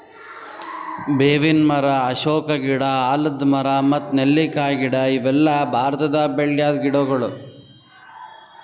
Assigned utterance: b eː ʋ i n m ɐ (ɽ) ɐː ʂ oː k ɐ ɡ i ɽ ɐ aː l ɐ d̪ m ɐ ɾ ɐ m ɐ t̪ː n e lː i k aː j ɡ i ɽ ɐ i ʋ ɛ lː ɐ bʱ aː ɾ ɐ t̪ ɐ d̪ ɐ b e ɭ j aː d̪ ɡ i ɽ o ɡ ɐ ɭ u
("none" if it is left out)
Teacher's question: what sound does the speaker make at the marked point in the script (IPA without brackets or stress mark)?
ɾ